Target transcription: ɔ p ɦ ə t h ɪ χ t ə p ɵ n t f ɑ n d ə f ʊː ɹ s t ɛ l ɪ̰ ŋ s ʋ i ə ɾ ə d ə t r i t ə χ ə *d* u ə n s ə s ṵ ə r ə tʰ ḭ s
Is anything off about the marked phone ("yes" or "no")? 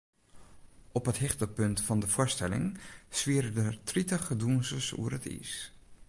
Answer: no